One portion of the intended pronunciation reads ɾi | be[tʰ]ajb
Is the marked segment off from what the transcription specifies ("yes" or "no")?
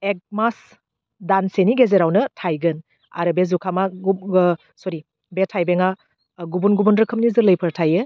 no